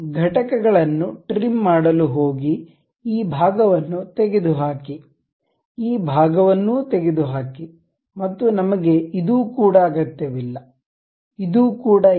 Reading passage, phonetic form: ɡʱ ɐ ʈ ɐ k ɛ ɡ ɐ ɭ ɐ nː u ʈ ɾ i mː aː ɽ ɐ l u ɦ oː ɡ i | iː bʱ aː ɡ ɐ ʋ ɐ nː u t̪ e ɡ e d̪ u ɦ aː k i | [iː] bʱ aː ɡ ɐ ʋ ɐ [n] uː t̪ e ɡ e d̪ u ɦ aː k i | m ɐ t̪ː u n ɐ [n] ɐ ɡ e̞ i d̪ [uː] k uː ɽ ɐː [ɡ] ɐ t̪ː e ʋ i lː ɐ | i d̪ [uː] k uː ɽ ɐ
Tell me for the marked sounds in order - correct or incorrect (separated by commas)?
correct, incorrect, incorrect, correct, correct, correct